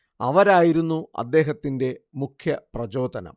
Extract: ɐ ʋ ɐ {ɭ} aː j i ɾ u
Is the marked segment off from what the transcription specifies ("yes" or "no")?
yes